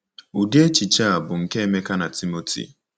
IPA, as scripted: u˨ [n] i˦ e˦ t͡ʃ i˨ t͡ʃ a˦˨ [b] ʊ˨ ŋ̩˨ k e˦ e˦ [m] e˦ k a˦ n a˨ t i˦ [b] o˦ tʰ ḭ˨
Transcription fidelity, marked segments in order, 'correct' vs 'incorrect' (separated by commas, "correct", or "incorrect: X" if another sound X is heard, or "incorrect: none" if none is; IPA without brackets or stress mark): incorrect: d, correct, correct, incorrect: m